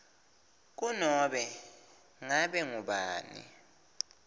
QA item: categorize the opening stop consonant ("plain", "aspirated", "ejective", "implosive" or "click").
plain